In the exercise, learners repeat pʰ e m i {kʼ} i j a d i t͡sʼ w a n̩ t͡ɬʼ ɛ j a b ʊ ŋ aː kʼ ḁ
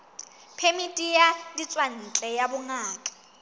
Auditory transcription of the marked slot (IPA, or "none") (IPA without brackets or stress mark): tʼ